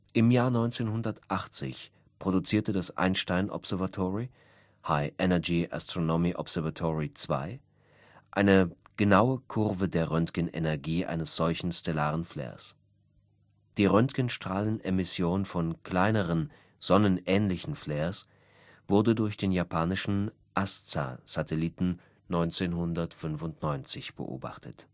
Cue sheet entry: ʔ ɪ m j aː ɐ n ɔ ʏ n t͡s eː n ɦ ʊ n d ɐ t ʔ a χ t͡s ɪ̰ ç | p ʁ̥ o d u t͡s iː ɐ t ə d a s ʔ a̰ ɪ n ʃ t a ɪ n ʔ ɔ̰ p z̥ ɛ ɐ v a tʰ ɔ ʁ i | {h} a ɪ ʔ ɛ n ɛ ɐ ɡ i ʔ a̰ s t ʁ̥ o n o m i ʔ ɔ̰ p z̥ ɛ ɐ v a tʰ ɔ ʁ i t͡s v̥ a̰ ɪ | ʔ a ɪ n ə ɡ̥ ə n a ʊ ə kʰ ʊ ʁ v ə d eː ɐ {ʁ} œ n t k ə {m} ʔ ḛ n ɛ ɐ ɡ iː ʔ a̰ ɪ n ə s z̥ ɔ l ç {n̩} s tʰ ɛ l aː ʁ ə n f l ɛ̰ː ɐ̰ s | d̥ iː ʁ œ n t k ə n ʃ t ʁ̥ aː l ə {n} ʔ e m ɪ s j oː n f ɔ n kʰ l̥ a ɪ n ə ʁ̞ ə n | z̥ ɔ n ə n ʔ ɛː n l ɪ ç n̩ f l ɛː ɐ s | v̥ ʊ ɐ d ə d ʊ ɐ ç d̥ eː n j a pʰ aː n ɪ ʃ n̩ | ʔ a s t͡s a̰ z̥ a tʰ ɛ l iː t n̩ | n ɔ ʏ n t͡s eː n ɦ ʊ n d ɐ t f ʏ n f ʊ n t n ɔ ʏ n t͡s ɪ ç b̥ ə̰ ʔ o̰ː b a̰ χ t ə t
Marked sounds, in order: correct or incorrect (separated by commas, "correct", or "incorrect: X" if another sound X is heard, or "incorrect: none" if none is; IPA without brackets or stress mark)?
correct, correct, incorrect: n, correct, correct